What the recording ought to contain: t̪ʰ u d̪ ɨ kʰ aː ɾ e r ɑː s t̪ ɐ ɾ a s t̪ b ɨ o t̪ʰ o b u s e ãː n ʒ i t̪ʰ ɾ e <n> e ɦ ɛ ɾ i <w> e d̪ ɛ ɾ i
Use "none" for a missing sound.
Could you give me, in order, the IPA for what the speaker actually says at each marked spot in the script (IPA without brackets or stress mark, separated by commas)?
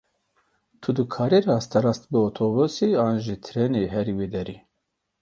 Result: n, w